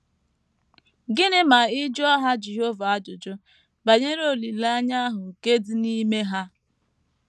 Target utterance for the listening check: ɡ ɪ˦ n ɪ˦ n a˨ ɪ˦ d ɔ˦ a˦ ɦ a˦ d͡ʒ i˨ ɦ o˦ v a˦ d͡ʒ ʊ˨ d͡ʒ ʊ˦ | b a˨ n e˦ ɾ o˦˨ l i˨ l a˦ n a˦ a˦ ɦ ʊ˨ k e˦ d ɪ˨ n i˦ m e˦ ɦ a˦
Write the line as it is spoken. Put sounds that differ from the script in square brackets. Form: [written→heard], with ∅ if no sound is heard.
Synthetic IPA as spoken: ɡ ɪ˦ n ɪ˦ [n→m] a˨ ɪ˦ [d→d͡ʒ] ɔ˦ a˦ ɦ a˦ d͡ʒ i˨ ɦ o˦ v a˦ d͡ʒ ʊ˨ d͡ʒ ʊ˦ | b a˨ [n→ɲ] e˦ ɾ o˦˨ l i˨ l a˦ [n→ɲ] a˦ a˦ ɦ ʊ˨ k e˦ d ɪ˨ n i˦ m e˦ ɦ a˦